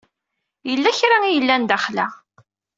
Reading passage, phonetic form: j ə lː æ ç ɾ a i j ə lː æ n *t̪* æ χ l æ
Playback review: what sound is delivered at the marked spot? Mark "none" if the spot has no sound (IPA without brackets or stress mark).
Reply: d̪